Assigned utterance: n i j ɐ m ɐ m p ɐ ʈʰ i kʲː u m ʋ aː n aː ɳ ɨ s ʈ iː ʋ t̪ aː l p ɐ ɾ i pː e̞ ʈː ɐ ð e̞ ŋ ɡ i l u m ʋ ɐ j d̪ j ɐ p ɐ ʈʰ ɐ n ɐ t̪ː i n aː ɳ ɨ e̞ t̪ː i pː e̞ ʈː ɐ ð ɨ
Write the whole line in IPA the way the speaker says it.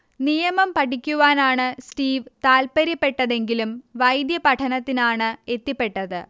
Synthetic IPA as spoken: n i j ɐ m ɐ m p ɐ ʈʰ i kʲː u ʋ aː n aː ɳ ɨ s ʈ iː ʋ t̪ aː l p ɐ ɾ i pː e̞ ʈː ɐ ð e̞ ŋ ɡ i l u m ʋ ɐ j d̪ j ɐ p ɐ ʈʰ ɐ n ɐ t̪ː i n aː ɳ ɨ e̞ t̪ː i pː e̞ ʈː ɐ ð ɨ